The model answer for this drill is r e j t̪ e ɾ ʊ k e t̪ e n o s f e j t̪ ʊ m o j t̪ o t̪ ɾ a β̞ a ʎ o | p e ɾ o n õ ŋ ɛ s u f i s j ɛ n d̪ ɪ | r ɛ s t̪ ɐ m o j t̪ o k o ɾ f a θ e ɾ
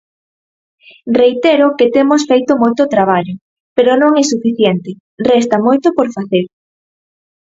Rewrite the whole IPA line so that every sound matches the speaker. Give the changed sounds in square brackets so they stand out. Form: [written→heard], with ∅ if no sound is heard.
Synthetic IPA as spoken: r e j t̪ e ɾ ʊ k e t̪ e [n→m] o s f e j t̪ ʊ m o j t̪ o t̪ ɾ a β̞ a ʎ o | p e ɾ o n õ ŋ ɛ s u f i [s→θ] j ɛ n [d̪→t̪] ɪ | r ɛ s t̪ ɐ m o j t̪ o [k→p] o ɾ f a θ e ɾ